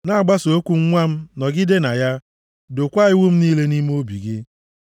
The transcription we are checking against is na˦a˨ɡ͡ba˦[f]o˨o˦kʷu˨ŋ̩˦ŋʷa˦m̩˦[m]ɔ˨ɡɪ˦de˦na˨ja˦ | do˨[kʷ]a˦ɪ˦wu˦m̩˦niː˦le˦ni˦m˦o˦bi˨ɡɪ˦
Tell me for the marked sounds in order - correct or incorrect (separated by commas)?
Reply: incorrect, incorrect, correct